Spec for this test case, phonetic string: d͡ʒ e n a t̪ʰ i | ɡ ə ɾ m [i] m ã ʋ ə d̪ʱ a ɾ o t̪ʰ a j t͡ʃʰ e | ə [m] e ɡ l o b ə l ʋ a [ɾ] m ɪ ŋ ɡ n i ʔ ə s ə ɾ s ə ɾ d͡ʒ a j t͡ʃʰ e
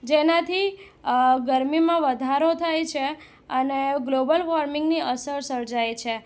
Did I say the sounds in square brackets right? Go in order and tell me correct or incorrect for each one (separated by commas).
correct, incorrect, correct